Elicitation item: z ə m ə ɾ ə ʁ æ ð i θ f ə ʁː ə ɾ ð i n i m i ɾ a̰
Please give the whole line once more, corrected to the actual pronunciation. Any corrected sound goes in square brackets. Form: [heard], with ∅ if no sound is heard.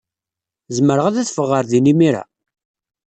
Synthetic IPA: z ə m ə ɾ ə ʁ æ ð [æ] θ f ə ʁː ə ɾ ð i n i m i ɾ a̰